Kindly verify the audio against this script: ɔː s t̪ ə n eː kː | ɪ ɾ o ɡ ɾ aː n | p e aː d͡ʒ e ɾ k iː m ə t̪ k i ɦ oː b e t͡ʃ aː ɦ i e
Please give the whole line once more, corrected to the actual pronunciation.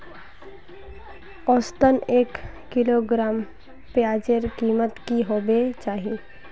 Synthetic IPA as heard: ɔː s t̪ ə n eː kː | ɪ l o ɡ ɾ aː m | p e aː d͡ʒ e ɾ k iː m ə t̪ k i ɦ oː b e t͡ʃ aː ɦ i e